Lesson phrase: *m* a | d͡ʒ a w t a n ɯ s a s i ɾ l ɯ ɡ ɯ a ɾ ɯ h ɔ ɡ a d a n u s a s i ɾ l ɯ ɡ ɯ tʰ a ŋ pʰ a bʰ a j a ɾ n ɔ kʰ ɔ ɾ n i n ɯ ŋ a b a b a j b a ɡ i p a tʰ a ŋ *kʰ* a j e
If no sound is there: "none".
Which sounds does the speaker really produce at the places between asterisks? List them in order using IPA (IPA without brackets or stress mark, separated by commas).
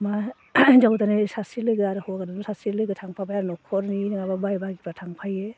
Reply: m, pʰ